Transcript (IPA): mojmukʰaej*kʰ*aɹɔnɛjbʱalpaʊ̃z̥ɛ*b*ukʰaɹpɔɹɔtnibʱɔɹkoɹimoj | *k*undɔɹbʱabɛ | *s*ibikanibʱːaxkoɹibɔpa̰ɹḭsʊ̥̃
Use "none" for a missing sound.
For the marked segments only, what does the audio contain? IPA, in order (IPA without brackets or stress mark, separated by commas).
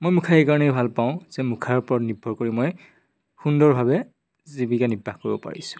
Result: k, m, x, z